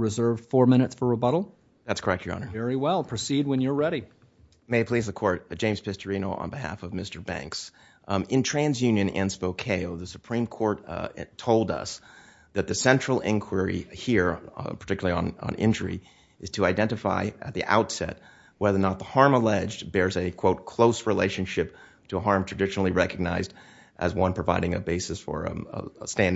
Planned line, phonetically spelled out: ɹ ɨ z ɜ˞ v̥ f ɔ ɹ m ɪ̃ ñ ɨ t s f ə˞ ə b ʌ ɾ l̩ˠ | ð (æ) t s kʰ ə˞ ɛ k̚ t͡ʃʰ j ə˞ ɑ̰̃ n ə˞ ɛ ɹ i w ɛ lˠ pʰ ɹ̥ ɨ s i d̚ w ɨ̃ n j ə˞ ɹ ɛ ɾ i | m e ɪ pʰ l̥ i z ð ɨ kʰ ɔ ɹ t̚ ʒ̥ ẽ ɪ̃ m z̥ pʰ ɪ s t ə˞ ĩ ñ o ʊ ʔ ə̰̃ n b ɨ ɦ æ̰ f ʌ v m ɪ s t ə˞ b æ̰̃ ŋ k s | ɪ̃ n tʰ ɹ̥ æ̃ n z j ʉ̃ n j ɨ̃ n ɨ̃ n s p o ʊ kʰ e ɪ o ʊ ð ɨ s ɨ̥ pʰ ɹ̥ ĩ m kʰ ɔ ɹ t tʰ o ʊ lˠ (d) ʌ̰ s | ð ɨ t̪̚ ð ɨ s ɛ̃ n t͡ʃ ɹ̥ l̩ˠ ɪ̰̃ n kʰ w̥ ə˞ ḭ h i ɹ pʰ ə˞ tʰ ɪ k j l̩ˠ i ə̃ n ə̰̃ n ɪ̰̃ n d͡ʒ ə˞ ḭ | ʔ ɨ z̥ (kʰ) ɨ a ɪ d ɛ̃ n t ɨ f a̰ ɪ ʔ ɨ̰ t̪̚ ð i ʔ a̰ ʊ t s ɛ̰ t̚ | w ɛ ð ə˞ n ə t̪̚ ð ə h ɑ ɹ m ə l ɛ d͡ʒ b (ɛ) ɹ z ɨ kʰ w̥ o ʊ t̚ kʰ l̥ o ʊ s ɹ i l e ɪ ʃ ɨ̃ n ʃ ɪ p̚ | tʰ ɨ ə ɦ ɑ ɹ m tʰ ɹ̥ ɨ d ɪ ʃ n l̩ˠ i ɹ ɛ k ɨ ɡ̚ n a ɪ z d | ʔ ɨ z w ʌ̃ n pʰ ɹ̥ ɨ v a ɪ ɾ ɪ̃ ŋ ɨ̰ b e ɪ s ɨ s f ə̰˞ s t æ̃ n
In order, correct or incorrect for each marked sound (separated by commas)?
correct, correct, incorrect, correct